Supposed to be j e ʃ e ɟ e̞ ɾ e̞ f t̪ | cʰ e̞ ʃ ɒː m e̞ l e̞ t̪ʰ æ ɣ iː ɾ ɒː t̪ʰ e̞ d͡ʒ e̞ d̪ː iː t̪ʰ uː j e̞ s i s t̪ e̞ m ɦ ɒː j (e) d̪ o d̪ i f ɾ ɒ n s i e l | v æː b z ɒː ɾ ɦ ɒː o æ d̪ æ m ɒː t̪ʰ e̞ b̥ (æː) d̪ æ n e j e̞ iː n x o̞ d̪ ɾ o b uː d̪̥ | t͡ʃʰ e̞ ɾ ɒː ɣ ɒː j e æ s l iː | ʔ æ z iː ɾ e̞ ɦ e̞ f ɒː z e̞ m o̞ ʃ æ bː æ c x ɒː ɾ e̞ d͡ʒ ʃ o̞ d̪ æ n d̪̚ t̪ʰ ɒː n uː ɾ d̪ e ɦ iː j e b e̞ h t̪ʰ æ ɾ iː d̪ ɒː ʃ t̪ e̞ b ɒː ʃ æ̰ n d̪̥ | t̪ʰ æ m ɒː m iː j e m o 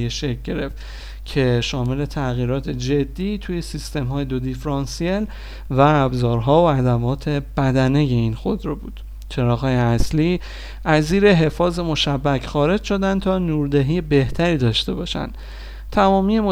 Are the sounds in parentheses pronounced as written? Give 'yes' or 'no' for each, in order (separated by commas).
yes, no